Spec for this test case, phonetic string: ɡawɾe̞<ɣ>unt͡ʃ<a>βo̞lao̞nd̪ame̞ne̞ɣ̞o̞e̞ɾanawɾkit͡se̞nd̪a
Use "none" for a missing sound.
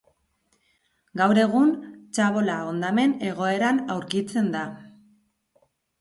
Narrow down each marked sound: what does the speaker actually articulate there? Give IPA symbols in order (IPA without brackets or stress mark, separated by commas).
ɣ, a